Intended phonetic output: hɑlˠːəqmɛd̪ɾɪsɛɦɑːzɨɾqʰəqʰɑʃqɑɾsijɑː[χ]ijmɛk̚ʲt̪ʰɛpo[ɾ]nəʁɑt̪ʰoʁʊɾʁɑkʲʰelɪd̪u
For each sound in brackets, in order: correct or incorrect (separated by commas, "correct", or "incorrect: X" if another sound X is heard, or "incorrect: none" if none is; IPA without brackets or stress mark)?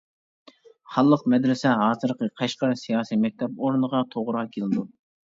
incorrect: s, correct